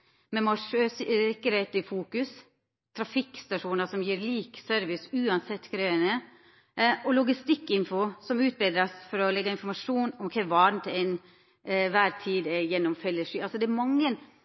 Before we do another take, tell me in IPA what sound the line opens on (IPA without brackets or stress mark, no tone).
m